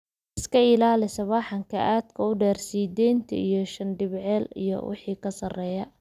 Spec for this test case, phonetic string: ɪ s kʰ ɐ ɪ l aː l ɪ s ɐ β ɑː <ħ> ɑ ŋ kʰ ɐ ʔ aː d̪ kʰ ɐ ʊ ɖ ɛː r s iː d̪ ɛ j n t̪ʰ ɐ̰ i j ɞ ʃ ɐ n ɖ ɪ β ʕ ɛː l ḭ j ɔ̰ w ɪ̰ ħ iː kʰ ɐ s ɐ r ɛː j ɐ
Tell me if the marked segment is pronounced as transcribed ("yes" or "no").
yes